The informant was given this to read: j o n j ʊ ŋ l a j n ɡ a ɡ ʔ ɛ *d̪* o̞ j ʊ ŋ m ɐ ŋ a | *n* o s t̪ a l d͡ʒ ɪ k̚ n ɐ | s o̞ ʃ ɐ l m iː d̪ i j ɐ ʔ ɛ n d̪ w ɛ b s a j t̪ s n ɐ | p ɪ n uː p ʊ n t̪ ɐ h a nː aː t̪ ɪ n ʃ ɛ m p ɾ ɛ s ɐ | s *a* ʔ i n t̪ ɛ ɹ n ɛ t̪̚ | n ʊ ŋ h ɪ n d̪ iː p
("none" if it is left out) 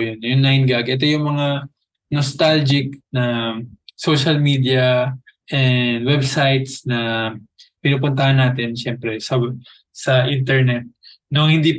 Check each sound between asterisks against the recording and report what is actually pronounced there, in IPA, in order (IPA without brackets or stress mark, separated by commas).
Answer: t̪, n, ɐ